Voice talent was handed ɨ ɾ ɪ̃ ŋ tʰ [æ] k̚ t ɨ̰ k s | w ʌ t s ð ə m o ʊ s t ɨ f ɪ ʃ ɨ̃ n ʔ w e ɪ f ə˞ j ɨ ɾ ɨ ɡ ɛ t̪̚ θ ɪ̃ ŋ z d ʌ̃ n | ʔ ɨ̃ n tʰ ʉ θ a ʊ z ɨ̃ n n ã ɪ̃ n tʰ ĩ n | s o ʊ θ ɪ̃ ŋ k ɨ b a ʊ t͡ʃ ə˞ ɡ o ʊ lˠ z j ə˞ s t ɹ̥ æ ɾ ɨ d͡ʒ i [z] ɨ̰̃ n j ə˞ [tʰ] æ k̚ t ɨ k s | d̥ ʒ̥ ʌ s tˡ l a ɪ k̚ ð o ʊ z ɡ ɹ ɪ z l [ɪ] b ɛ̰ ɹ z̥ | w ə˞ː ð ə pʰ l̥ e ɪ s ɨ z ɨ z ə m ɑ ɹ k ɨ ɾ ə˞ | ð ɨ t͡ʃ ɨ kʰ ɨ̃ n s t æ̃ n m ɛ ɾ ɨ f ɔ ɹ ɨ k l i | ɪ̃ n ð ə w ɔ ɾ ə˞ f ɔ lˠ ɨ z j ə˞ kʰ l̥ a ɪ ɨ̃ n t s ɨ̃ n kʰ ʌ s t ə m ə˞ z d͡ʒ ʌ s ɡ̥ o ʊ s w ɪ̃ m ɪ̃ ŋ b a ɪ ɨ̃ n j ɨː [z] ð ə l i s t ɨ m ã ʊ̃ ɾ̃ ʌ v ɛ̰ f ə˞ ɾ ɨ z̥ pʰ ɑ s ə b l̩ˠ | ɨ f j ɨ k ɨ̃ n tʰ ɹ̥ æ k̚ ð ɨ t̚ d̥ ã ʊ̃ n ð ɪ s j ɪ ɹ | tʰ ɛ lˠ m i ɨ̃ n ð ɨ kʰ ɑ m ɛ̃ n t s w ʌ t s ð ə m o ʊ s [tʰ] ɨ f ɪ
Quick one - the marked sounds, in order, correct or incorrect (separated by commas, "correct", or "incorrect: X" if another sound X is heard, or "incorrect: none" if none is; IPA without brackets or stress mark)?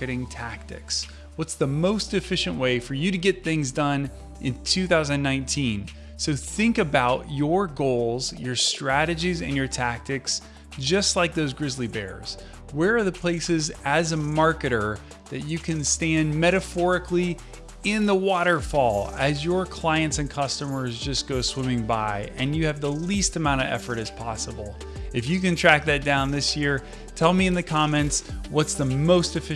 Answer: correct, correct, correct, incorrect: i, incorrect: v, incorrect: t